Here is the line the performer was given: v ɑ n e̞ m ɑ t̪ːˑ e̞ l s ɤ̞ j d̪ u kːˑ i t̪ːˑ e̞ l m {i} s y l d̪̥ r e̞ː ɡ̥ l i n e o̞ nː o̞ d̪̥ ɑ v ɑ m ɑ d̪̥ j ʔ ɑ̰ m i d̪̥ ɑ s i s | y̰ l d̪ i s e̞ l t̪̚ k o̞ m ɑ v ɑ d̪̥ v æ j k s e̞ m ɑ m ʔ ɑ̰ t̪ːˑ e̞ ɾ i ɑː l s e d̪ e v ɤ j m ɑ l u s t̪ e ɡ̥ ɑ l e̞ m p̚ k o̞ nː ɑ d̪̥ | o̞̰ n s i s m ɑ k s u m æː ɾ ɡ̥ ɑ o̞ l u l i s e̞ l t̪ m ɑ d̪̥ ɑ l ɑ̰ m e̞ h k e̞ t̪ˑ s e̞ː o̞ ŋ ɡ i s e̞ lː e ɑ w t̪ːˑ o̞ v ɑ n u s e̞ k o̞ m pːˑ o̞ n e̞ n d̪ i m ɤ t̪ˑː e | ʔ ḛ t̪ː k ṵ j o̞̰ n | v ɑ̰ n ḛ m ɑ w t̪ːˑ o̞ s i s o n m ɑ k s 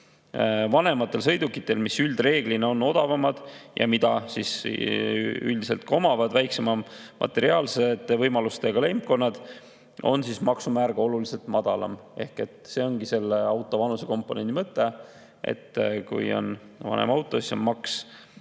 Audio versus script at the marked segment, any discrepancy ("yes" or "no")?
no